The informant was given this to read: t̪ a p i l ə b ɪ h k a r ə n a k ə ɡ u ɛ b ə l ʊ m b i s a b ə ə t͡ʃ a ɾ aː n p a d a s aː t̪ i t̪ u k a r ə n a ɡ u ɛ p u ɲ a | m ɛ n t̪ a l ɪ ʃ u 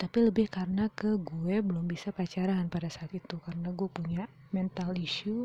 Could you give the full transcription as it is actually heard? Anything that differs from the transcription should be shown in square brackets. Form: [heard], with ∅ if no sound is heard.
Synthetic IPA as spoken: t̪ a p i l ə b ɪ h k a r ə n a k ə ɡ u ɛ b ə l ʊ m b i s a [p] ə [a] t͡ʃ a ɾ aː n p a d a s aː t̪ i t̪ u k a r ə n a ɡ u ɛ p u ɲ a | m ɛ n t̪ a l [i] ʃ u